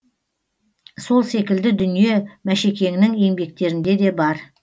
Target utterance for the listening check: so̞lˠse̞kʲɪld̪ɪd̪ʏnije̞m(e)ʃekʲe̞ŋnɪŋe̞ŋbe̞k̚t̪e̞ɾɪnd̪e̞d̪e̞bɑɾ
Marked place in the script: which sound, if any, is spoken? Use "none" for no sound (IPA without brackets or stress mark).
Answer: æ